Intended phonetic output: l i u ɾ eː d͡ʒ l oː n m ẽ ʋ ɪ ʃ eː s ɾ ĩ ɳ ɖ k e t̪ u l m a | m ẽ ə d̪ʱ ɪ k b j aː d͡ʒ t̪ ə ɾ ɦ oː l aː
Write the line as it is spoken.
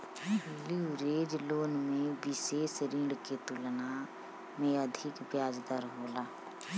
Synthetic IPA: l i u ɾ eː d͡ʒ l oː n m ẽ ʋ ɪ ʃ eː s ɾ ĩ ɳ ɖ k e t̪ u l n a | m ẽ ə d̪ʱ ɪ k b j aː d͡ʒ d̪ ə ɾ ɦ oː l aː